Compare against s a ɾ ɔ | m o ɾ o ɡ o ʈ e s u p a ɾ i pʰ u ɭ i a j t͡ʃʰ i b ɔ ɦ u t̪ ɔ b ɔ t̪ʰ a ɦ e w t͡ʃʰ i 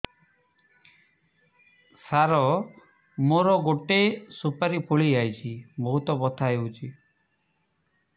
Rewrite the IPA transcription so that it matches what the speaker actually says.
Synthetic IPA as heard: s a ɾ ɔ | m o ɾ ɔ ɡ o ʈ e s u p a ɾ i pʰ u ɭ i a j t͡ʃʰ i b ɔ ɦ u t̪ ɔ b ɔ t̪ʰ a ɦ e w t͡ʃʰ i